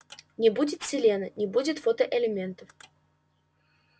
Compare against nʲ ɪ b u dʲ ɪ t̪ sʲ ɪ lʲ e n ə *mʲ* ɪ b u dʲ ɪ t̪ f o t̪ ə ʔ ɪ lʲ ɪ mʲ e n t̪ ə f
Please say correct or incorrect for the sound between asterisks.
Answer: incorrect